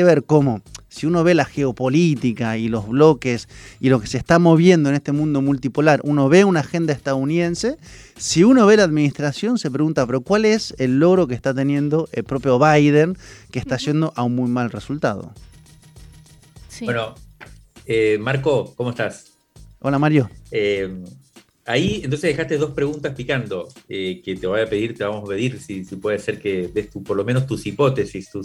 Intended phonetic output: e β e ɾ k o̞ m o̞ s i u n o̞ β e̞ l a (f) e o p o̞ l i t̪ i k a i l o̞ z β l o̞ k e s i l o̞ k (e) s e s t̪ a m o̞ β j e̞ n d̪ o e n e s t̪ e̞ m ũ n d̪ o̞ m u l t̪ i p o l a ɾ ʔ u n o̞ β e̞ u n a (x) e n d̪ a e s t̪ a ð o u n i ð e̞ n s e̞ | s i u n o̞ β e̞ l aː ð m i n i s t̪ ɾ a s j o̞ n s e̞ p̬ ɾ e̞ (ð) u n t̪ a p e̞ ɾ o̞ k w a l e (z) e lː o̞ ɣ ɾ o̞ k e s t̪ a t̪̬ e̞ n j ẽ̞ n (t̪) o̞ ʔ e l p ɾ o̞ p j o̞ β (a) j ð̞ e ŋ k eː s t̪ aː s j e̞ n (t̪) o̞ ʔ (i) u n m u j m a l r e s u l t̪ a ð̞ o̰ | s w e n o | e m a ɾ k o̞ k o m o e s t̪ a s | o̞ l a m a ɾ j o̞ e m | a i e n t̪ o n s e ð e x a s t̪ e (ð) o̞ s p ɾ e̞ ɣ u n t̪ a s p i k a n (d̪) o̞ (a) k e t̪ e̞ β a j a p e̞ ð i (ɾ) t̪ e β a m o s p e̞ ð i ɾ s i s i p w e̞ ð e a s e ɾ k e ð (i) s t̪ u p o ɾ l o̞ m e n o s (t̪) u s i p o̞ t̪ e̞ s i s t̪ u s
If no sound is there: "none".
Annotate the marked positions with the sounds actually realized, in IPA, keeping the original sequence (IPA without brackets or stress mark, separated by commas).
x, e, x, ɣ, s, d̪, a, d̪, a, ð, d̪, e, ɾ, e, t̪